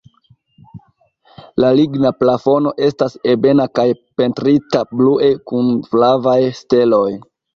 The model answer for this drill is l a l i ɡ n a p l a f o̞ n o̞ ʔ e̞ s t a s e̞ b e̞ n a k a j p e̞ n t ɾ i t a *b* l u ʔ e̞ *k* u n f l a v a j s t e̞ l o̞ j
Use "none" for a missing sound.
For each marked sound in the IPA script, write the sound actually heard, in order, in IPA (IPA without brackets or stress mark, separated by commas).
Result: b, k